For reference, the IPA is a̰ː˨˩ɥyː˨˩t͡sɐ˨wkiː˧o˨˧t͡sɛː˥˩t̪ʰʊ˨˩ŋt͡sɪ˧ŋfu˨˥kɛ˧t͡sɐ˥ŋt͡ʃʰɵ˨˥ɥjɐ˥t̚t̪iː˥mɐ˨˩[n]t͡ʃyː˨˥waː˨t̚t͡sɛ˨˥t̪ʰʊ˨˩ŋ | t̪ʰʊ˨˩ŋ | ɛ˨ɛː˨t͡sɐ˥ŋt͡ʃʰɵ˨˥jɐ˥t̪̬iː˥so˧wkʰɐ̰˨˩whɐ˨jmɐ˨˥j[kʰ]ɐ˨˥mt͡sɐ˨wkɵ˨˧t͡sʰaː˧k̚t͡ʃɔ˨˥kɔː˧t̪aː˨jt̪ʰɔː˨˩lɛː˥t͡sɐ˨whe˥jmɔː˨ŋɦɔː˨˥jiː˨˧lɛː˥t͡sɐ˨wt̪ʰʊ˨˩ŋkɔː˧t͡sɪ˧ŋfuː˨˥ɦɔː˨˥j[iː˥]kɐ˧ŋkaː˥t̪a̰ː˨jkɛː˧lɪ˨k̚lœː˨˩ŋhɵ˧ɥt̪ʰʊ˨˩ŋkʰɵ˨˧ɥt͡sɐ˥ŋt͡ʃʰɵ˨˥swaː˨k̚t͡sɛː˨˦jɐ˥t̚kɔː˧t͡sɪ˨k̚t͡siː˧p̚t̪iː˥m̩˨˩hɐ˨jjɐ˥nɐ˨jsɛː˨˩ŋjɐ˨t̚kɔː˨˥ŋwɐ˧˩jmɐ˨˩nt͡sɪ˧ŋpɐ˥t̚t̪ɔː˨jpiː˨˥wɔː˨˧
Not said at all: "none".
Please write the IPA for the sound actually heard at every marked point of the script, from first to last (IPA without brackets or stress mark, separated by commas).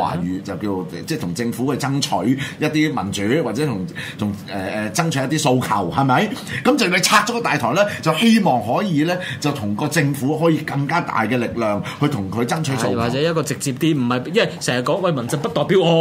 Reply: n, k, iː˧